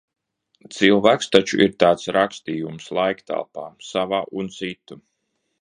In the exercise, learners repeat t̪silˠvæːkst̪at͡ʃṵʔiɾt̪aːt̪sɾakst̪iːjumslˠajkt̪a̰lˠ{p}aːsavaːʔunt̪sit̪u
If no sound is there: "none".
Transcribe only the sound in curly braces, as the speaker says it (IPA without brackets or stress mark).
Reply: p